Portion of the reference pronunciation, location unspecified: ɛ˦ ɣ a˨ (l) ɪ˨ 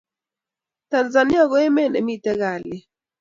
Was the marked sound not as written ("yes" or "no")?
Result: no